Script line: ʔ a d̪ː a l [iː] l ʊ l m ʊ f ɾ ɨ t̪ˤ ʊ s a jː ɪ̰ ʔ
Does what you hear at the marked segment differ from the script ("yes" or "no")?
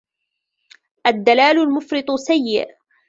yes